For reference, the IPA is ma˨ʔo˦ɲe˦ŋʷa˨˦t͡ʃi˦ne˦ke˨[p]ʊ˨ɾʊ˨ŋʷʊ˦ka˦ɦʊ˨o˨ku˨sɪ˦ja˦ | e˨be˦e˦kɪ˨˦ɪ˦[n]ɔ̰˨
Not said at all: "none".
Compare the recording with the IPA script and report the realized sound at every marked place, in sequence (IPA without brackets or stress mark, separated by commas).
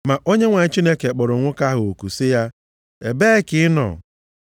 k͡p, n